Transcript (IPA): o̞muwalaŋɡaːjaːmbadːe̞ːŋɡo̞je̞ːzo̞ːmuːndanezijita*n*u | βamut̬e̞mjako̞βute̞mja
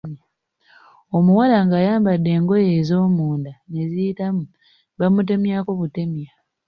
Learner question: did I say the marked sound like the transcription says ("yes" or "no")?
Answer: no